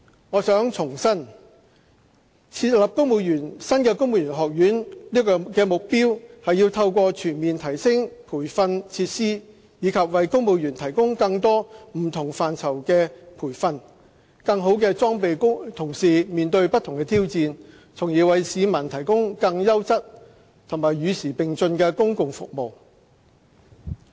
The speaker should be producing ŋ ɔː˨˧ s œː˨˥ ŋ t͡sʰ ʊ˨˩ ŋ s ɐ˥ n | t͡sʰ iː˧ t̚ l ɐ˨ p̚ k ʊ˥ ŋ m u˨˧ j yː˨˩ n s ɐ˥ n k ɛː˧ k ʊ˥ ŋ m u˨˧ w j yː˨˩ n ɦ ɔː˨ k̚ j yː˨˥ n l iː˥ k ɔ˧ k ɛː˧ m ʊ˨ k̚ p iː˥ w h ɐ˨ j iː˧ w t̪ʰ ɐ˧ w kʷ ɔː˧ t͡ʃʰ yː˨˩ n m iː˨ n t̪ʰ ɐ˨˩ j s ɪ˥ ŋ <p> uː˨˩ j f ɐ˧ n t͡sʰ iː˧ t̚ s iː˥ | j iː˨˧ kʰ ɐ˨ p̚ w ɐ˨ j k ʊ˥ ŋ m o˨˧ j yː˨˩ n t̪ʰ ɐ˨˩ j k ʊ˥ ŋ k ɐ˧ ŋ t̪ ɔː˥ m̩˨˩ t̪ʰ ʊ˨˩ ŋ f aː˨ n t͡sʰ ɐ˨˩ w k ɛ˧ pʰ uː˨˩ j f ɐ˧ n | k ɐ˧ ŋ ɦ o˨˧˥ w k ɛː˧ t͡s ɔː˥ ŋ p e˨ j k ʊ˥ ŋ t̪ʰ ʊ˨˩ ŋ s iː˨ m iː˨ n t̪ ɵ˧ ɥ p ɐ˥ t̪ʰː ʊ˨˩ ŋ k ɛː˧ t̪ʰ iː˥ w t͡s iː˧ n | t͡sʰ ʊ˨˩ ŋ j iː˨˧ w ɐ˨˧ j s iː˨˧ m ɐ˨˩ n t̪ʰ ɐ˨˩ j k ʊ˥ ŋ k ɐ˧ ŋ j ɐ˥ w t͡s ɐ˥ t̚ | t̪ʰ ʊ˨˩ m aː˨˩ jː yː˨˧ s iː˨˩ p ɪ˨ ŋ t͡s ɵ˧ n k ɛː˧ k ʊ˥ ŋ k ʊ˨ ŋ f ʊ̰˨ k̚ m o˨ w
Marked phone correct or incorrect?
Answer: incorrect